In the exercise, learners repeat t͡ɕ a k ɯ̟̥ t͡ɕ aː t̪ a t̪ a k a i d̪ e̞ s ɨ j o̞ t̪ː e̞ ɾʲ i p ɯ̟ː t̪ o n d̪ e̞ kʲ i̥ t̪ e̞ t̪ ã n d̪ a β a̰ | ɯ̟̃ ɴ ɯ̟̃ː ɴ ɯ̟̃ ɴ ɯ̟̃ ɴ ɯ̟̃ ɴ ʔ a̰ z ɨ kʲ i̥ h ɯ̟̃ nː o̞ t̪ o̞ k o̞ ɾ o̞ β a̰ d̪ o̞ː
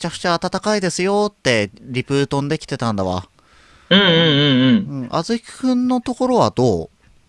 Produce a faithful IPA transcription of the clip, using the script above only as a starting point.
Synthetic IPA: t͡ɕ a k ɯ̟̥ t͡ɕ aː t̪ a t̪ a k a i d̪ e̞ s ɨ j o̞ t̪ː e̞ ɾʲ i p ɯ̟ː t̪ õ n d̪ e̞ kʲ i̥ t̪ e̞ t̪ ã n d̪ a β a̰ | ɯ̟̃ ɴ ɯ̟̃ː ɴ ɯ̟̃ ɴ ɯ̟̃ ɴ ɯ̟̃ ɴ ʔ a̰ z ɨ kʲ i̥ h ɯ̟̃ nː o̞ t̪ o̞ k o̞ ɾ o̞ β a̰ d̪ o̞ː